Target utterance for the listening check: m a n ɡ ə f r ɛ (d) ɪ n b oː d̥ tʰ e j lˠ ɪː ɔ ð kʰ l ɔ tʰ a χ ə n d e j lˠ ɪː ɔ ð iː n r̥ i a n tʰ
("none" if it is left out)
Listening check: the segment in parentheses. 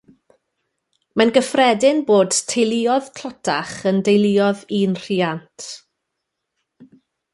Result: d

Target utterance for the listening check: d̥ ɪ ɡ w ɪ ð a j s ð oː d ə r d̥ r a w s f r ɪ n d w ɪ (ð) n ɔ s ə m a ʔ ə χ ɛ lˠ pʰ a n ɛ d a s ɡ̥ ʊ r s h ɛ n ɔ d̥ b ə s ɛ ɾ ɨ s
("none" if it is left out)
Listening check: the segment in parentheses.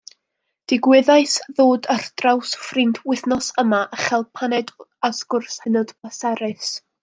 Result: θ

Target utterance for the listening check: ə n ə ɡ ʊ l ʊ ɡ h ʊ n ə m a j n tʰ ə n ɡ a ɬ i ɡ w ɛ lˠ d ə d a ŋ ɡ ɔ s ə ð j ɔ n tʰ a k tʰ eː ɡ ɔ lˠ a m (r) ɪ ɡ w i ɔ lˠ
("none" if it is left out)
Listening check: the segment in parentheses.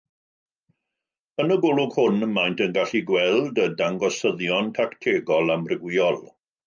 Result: r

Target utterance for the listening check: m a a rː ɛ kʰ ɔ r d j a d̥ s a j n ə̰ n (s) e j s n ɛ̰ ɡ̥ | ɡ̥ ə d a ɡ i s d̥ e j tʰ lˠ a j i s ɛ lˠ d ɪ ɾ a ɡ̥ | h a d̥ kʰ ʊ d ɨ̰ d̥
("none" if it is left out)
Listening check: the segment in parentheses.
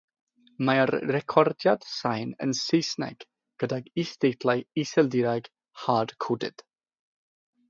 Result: s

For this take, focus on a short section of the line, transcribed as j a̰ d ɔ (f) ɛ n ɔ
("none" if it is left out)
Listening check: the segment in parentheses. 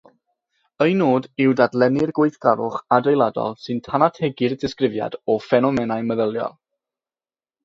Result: f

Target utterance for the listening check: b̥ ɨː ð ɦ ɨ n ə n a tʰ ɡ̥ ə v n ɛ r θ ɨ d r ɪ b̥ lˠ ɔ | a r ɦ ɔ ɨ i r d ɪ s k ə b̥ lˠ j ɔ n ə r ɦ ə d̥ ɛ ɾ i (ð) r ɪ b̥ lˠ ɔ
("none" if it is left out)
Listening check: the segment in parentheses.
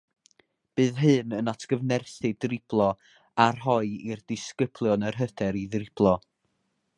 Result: ð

